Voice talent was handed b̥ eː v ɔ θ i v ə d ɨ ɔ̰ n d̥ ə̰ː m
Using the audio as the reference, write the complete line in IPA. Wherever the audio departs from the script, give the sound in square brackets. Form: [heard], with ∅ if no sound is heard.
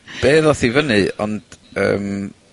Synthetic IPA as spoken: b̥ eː [ð] ɔ θ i v ə [n] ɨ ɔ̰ n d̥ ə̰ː m